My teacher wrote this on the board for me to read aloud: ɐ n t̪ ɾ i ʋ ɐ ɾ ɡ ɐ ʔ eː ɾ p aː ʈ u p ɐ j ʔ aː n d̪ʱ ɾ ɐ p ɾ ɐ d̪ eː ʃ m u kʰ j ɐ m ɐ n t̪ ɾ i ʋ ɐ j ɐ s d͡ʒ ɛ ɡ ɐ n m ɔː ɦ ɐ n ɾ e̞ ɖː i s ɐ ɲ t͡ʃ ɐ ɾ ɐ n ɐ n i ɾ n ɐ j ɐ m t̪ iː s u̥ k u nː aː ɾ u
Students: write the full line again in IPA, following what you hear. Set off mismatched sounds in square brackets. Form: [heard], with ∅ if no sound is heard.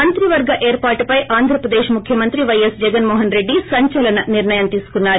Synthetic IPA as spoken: ɐ n t̪ ɾ i ʋ ɐ ɾ ɡ ɐ ʔ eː ɾ p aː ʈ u p ɐ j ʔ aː n d̪ʱ ɾ ɐ p ɾ ɐ d̪ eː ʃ m u kʰ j ɐ m ɐ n t̪ ɾ i ʋ ɐ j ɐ s d͡ʒ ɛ ɡ ɐ n m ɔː ɦ ɐ n ɾ e̞ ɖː i s ɐ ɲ t͡ʃ ɐ [l] ɐ n ɐ n i ɾ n ɐ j ɐ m t̪ iː s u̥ k u nː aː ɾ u